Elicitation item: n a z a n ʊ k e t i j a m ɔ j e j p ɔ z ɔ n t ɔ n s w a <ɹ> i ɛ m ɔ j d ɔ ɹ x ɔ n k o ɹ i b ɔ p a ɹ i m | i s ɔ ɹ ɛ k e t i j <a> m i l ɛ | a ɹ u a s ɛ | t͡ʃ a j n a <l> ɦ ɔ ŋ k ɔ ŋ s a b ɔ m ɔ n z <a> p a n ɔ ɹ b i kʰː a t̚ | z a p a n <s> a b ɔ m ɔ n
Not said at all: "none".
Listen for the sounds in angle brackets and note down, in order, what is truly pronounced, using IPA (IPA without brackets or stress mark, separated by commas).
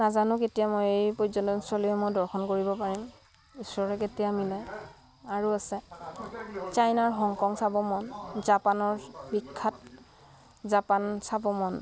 l, a, ɹ, a, s